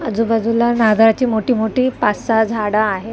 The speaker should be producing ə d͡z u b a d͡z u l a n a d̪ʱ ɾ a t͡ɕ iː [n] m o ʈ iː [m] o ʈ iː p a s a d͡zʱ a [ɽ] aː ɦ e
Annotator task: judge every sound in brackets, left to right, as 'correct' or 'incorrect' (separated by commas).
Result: incorrect, correct, correct